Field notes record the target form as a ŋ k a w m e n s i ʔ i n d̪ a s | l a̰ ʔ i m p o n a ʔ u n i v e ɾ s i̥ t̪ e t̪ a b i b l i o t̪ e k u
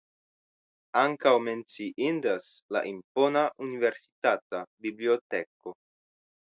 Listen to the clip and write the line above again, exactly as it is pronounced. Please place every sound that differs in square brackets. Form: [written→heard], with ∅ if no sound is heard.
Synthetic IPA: a ŋ k a w m e n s i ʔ i n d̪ a s | l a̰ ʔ i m p o n a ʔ u n i v e ɾ s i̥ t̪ [e→a] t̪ a b i b l i o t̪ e k [u→o]